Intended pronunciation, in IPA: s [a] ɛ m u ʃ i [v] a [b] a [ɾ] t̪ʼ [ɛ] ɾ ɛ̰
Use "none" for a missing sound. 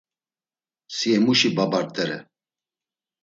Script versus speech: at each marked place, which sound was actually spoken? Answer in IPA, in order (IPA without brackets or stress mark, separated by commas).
i, b, b, ɾ, ɛ